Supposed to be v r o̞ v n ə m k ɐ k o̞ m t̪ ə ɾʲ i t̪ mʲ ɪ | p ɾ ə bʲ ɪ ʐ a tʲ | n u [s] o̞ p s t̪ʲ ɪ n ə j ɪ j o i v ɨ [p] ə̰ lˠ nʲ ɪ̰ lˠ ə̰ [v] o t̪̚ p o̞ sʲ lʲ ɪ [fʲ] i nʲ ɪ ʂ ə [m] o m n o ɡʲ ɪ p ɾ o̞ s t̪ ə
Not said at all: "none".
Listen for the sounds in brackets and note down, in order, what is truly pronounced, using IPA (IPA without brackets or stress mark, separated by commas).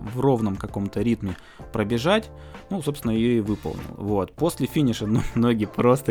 s, p, v, fʲ, n